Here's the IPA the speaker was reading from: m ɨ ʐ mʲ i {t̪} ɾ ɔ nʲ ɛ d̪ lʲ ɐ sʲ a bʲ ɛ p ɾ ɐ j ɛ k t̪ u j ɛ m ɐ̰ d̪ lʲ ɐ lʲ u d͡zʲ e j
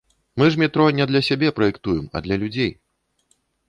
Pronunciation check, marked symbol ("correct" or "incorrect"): correct